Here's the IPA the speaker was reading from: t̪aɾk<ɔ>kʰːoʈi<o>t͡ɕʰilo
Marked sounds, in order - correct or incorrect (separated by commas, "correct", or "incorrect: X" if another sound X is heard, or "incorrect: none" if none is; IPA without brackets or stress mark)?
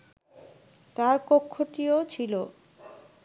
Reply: incorrect: o, correct